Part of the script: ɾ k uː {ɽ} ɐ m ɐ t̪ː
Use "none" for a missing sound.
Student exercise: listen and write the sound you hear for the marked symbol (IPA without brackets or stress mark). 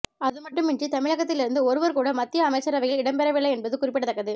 ɽ